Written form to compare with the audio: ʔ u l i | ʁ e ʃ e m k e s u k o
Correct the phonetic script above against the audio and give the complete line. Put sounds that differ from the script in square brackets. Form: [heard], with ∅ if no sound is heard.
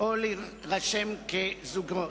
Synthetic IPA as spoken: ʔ [o] l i | ʁ [a] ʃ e m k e [z] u [ɡ] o